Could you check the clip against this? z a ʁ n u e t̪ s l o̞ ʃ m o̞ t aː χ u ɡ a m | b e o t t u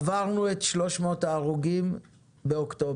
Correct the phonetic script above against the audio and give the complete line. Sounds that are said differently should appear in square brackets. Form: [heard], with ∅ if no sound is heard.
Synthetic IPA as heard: [v] a ʁ n u e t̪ [ʃ] l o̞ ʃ m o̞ t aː [ʁ] u ɡ [i] m | b e o [k] t [o]